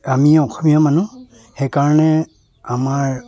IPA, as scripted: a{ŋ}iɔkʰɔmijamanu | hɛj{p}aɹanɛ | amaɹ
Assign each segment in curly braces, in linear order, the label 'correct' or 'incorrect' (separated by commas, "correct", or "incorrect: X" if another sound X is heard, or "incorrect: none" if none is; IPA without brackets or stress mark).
incorrect: m, incorrect: k